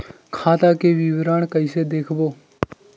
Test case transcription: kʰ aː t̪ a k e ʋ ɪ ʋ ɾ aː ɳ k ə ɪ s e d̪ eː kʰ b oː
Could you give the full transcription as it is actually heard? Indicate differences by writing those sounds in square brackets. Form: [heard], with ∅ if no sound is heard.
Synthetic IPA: kʰ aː t̪ a k e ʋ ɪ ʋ ɾ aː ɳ k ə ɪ s e d̪ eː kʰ b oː